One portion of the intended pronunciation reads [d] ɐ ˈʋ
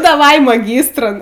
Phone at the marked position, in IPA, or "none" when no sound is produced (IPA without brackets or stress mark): d